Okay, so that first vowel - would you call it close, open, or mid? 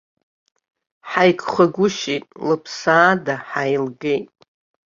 open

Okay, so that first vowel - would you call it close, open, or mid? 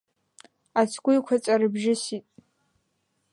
open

